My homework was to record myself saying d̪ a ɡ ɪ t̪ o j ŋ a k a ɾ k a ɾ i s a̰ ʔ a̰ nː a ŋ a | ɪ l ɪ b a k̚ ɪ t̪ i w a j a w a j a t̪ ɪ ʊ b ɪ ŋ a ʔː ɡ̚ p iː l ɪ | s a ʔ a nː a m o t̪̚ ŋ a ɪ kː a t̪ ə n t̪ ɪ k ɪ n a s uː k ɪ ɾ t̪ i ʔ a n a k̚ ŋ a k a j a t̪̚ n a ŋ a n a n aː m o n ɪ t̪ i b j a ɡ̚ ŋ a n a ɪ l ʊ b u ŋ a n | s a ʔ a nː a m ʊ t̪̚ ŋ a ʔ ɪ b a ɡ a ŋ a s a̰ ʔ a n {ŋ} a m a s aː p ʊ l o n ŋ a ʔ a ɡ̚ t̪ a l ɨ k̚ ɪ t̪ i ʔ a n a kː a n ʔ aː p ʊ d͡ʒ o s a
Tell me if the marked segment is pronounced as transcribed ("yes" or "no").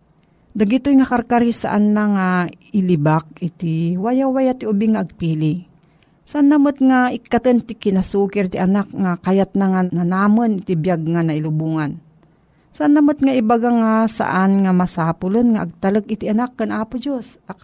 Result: yes